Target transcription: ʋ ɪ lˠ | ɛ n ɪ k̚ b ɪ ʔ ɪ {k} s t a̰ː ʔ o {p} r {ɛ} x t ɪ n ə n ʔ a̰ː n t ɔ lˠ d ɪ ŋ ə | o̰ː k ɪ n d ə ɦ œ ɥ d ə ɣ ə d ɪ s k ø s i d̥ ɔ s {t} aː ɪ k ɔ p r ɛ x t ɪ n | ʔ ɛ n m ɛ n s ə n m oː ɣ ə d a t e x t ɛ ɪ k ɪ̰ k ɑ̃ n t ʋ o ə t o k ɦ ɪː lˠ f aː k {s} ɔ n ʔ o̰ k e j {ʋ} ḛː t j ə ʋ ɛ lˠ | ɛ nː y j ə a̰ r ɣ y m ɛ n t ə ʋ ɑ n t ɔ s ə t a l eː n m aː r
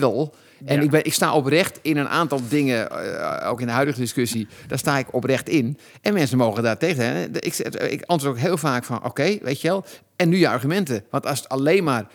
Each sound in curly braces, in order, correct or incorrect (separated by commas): correct, correct, correct, correct, incorrect, correct